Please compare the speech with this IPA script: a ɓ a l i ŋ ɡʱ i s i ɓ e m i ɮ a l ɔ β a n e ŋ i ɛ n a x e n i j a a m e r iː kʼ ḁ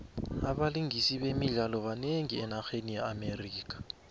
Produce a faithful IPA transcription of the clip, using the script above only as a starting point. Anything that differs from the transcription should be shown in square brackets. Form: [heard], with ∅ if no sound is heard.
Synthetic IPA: a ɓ a l i ŋ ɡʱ i s i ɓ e m i ɮ a l ɔ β a n e ŋ i ɛ n a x e n i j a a m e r iː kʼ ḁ